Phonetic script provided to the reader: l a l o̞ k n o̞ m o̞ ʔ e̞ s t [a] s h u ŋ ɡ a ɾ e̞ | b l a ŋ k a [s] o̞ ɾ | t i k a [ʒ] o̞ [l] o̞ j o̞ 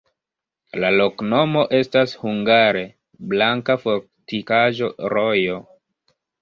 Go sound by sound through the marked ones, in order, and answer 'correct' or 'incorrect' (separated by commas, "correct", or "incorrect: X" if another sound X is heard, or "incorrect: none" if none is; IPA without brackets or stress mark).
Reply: correct, incorrect: f, correct, incorrect: ɾ